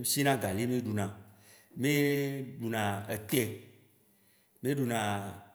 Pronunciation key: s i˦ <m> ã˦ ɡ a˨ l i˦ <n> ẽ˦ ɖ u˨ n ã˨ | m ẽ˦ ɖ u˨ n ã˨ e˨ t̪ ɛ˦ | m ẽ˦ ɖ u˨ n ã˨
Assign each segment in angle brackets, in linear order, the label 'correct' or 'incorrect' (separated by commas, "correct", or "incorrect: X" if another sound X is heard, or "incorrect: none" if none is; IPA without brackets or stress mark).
incorrect: n, incorrect: m